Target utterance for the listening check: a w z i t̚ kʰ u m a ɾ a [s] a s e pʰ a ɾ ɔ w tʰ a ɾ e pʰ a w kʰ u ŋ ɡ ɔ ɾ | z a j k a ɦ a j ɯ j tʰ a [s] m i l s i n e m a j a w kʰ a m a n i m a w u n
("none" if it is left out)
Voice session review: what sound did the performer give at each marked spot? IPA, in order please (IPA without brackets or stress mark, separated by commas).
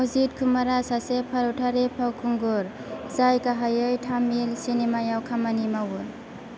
s, none